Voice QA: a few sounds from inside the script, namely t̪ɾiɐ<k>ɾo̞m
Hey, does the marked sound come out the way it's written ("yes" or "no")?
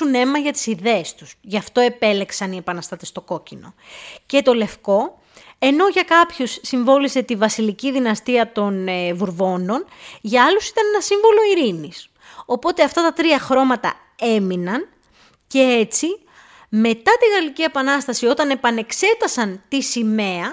no